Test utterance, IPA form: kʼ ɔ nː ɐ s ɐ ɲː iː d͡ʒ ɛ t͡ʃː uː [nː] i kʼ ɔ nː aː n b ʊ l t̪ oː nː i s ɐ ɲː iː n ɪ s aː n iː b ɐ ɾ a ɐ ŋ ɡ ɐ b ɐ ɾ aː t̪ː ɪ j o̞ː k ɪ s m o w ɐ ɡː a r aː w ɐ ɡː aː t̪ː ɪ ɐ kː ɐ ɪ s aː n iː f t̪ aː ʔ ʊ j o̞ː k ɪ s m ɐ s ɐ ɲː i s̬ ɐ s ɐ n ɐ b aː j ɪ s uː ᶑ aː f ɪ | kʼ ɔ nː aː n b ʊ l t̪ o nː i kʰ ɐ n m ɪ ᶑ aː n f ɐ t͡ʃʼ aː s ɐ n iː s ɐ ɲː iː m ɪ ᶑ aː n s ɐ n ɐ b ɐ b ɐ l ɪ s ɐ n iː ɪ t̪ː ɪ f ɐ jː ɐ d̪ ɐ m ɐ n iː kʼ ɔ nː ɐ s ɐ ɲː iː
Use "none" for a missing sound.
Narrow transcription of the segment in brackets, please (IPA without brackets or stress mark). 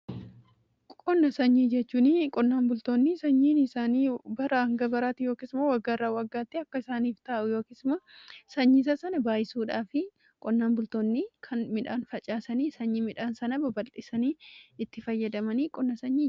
n